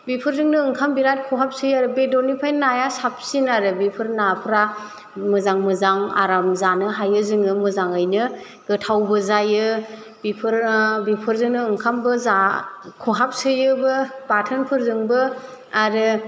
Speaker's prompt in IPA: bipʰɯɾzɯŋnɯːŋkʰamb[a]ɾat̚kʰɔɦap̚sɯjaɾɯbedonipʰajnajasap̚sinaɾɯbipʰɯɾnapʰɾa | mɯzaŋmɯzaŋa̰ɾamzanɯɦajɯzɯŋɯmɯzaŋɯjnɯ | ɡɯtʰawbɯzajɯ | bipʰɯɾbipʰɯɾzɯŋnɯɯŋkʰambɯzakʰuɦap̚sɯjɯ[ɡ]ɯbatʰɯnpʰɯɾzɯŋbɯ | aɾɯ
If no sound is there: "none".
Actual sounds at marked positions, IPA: i, b

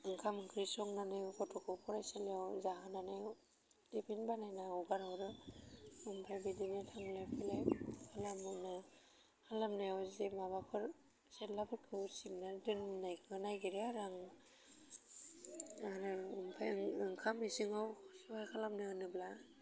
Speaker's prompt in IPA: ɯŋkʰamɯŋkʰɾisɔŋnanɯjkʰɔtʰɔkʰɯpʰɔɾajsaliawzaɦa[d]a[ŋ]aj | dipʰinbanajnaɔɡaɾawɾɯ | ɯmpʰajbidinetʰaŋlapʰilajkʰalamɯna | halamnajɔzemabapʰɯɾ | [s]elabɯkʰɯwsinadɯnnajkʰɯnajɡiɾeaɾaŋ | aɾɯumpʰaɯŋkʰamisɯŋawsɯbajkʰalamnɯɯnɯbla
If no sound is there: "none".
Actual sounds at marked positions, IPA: n, n, s

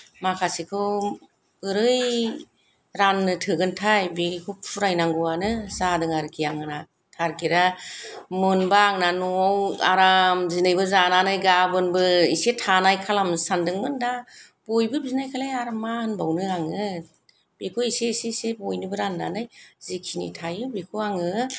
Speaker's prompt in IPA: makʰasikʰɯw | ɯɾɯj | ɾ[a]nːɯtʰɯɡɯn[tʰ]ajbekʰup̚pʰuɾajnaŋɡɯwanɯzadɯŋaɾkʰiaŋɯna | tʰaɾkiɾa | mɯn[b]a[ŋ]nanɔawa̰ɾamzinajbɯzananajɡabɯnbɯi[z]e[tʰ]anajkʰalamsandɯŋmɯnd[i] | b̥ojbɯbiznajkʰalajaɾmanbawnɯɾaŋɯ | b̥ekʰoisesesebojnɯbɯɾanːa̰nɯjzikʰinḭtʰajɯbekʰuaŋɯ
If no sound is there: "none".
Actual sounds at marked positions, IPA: a, tʰ, b, ŋ, s, tʰ, a

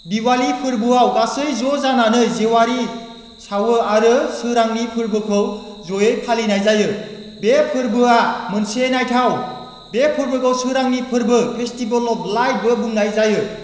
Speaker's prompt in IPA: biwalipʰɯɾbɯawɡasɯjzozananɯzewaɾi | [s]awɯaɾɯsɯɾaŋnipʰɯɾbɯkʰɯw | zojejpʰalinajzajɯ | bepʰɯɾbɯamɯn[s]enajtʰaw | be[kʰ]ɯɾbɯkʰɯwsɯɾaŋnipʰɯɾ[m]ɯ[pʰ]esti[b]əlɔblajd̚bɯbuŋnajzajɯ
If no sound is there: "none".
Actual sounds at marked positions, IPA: s, s, pʰ, b, pʰ, b

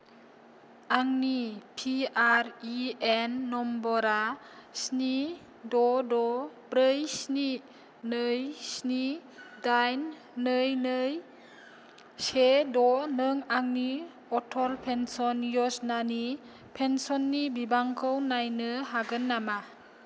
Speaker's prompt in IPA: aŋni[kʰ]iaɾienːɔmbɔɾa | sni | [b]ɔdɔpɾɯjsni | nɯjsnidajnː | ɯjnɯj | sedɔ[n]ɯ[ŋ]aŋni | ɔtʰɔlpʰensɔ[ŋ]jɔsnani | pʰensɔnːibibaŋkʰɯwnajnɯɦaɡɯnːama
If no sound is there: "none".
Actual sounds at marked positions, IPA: pʰ, d, n, ŋ, n

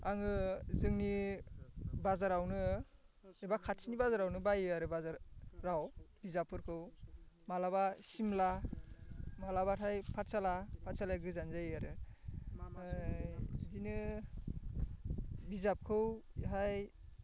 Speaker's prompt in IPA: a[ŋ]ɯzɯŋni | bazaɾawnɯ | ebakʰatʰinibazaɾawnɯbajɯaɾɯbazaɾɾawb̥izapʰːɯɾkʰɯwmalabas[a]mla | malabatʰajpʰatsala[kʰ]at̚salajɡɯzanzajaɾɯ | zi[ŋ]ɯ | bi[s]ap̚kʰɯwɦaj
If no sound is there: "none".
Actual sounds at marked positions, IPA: ŋ, i, pʰ, n, z

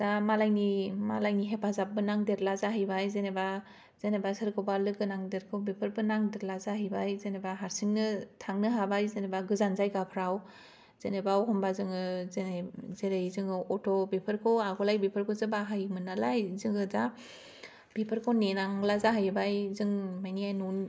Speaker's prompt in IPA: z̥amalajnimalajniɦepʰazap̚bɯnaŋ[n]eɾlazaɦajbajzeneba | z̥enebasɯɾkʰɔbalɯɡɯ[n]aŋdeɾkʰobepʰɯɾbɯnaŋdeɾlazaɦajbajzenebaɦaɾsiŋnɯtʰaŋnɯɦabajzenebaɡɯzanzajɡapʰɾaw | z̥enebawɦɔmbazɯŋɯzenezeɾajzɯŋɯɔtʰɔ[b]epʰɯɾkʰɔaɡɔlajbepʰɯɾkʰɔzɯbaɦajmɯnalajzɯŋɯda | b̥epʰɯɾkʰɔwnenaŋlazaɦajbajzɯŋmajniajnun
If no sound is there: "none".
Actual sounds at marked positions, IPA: d, n, b

